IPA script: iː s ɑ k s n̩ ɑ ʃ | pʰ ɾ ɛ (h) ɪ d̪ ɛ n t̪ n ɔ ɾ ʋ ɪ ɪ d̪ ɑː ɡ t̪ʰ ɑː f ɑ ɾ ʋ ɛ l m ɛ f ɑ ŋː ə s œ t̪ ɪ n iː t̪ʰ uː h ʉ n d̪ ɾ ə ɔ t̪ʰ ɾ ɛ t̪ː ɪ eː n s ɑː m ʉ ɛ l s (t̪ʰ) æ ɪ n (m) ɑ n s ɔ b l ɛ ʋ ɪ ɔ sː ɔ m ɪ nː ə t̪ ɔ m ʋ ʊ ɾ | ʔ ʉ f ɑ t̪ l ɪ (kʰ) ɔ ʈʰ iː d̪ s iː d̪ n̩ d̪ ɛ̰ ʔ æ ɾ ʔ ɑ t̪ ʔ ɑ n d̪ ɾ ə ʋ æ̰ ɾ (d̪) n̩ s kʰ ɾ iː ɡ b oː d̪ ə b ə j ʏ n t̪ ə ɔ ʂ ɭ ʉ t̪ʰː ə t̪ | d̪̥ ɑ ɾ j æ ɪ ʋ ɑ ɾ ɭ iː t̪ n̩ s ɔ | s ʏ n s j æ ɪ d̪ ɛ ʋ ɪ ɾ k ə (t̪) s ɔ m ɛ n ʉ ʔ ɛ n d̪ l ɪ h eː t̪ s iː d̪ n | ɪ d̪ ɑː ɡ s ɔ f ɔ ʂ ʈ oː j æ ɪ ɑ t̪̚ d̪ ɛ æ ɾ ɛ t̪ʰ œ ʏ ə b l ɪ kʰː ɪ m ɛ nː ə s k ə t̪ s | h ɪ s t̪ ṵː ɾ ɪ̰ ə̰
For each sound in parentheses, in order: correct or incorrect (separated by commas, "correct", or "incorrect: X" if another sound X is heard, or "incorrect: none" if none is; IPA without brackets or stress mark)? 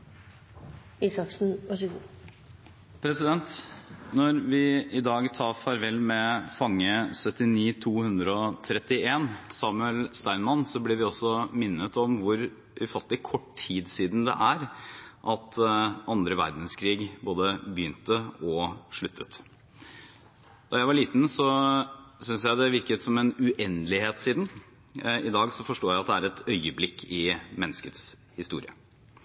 incorrect: s, incorrect: t̪, correct, correct, correct, correct